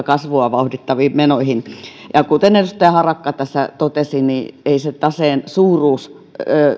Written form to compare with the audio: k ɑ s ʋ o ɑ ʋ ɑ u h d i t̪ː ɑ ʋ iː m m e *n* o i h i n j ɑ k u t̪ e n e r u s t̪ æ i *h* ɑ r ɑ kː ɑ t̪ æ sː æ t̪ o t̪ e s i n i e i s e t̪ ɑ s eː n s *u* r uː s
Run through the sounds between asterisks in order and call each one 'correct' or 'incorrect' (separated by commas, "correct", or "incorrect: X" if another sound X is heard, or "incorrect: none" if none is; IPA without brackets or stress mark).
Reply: correct, correct, incorrect: uː